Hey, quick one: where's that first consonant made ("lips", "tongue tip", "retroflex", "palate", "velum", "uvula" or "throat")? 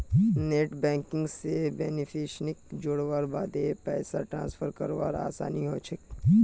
tongue tip